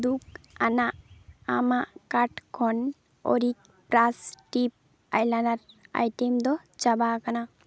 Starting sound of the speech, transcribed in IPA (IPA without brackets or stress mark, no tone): d̪